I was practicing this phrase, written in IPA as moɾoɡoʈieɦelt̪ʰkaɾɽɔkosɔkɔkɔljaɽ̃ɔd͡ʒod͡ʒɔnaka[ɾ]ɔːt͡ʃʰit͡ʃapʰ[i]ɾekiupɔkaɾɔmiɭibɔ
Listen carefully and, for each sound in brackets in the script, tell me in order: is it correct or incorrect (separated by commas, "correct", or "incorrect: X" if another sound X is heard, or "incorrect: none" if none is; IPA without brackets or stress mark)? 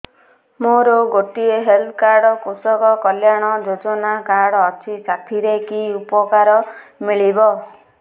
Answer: incorrect: ɽ, correct